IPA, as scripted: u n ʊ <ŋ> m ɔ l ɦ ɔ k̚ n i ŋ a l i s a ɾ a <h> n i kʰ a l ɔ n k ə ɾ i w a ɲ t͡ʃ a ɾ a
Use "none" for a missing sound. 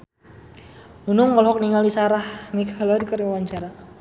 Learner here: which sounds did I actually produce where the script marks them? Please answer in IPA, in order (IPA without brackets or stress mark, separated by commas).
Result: ŋ, h